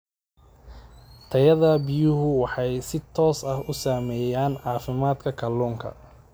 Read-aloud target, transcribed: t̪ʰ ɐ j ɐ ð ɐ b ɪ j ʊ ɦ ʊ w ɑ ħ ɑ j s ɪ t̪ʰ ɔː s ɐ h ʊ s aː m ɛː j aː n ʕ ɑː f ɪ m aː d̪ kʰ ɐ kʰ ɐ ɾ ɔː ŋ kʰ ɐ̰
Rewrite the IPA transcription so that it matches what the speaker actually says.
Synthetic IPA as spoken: t̪ʰ ɐ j ɐ ð ɐ b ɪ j ʊ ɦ ʊ w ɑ ħ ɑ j s ɪ t̪ʰ ɔː s ɐ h ʊ s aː m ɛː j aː n ʕ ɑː f ɪ m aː d̪ kʰ ɐ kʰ ɐ l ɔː ŋ kʰ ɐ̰

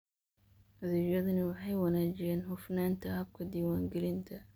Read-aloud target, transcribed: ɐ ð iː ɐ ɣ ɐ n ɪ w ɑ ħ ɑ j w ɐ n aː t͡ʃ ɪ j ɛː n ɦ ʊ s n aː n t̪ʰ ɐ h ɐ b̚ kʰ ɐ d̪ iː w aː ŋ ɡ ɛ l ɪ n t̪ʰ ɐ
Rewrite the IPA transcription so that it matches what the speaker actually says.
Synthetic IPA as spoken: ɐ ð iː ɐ ð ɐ n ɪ w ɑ ħ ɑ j w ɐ n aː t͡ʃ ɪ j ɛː n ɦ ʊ f n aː n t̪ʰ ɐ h ɐ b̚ kʰ ɐ d̪ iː w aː ŋ ɡ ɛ l ɪ n t̪ʰ ɐ

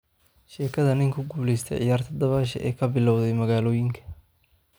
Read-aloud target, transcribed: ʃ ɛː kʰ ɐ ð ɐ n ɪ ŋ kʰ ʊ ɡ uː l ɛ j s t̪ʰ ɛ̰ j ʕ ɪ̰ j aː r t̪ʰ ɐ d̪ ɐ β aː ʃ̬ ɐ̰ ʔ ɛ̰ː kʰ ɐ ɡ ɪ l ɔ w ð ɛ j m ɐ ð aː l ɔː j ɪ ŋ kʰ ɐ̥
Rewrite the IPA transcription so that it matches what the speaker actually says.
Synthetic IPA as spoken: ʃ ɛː kʰ ɐ ð ɐ n ɪ ŋ kʰ ʊ ɡ uː l ɛ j s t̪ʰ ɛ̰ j ʕ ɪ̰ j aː r t̪ʰ ɐ d̪ ɐ β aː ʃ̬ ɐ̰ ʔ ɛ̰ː kʰ ɐ b ɪ l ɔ w ð ɛ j m ɐ ɣ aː l ɔː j ɪ ŋ kʰ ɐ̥

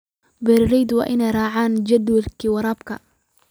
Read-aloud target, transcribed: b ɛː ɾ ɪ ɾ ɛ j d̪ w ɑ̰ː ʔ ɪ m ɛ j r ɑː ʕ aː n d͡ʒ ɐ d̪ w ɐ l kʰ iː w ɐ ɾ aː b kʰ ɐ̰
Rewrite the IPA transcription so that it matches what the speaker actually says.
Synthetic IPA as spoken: b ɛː ɾ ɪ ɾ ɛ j d̪ w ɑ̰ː ʔ ɪ n ɛ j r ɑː ʕ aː n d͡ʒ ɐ d̪ w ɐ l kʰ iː w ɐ ɾ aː b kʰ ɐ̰

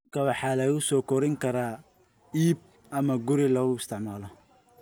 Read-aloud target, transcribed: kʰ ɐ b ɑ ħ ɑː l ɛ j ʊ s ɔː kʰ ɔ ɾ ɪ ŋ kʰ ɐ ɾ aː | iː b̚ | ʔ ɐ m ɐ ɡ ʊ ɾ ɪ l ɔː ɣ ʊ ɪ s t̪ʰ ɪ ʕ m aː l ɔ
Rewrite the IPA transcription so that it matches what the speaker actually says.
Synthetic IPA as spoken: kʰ ɐ w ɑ ħ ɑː l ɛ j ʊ s ɔː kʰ ɔ ɾ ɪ ŋ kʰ ɐ ɾ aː | iː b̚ | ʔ ɐ m ɐ ɡ ʊ ɾ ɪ l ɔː ɣ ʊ ɪ s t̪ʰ ɪ ʕ m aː l ɔ

